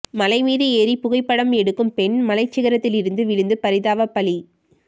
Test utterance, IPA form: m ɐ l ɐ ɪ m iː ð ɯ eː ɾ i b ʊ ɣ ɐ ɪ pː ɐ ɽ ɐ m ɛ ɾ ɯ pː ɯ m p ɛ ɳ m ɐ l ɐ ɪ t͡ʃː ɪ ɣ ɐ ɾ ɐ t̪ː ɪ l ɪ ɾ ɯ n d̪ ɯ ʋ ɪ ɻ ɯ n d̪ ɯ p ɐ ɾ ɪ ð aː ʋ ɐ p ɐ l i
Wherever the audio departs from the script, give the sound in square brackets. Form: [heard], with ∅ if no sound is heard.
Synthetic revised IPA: m ɐ l ɐ ɪ m iː ð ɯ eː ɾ i [p] ʊ ɣ ɐ ɪ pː ɐ ɽ ɐ m ɛ [ɽ] ɯ [kː] ɯ m p ɛ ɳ m ɐ l ɐ ɪ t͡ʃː ɪ ɣ ɐ ɾ ɐ t̪ː ɪ l ɪ ɾ ɯ n d̪ ɯ ʋ ɪ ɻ ɯ n d̪ ɯ p ɐ ɾ ɪ ð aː ʋ ɐ p ɐ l i